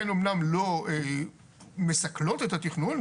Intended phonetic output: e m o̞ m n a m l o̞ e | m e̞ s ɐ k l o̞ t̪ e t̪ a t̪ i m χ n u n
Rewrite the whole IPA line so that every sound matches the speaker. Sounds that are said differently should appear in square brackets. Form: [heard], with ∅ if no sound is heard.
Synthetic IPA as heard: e [n] o̞ m n a m l o̞ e | m e̞ s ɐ k l o̞ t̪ e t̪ a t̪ i [∅] χ n u n